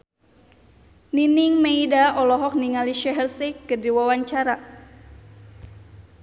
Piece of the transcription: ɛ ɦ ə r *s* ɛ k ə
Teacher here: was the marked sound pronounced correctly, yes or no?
yes